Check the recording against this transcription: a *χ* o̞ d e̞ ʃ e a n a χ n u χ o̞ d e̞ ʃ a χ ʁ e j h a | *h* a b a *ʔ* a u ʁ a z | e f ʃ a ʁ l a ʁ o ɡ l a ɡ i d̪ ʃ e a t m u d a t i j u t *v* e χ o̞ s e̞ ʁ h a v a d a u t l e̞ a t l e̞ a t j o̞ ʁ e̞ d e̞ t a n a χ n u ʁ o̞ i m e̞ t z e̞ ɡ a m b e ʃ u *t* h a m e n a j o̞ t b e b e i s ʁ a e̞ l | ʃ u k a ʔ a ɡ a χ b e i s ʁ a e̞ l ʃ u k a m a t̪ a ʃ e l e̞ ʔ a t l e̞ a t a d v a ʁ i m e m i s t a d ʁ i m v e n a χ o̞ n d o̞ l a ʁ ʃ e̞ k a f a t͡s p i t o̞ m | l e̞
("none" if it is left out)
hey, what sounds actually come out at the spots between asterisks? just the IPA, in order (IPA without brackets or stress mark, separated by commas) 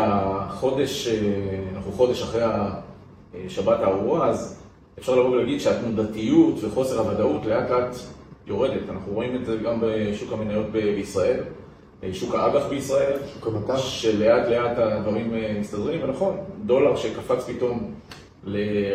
χ, ʃ, t, v, k